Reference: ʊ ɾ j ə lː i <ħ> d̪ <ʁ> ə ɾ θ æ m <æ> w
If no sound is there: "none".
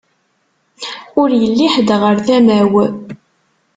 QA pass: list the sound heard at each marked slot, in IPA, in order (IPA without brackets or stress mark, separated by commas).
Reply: ħ, ʁ, æ